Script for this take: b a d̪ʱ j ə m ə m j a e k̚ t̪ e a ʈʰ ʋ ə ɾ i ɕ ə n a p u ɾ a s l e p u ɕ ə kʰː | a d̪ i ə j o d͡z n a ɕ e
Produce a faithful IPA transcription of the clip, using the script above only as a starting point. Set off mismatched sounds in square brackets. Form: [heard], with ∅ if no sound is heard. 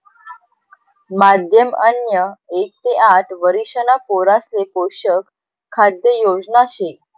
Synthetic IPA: [m] a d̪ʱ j ə m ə [n] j [ə] e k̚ t̪ e a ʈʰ ʋ ə ɾ i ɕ ə n a p [o] ɾ a s l e p [o] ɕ ə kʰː | a d̪ [j] ə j o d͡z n a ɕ e